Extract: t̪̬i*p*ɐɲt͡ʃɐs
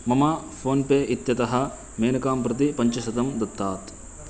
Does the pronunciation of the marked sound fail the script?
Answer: no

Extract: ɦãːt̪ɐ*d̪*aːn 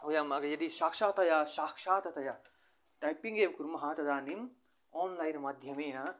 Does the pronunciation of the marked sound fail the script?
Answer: no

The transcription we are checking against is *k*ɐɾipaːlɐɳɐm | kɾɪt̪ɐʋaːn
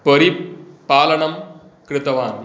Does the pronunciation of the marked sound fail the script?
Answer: yes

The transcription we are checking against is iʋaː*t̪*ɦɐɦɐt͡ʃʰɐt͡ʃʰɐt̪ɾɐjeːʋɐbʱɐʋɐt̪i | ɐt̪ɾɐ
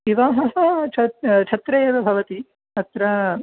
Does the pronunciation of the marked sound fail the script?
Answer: yes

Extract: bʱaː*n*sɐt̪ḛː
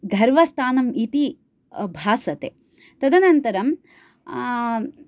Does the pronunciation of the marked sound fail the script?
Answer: yes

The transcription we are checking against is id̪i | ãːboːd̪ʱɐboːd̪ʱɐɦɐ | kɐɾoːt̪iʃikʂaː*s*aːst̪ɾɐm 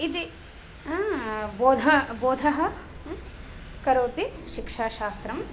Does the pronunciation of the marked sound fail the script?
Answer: yes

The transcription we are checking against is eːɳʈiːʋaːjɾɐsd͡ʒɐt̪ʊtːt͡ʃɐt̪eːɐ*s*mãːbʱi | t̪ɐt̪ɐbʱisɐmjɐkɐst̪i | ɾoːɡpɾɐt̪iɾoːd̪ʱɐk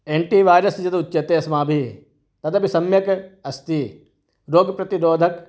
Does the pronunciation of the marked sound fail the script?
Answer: no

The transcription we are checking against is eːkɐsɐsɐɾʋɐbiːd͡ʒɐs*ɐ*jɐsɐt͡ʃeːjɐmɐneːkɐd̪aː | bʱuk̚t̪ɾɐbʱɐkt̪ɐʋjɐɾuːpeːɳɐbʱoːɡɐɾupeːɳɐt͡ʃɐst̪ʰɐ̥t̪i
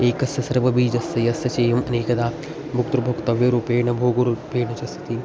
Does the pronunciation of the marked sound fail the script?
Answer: no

